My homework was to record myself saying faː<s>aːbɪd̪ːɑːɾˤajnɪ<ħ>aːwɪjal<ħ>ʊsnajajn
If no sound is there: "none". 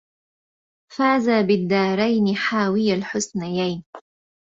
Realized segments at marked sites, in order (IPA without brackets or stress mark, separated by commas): z, ħ, ħ